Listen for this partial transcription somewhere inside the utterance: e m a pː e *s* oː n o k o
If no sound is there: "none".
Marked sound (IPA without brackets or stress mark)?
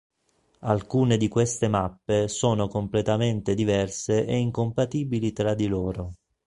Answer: s